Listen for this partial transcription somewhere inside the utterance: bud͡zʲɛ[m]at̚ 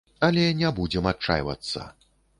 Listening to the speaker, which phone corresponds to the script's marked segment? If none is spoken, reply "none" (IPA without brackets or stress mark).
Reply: m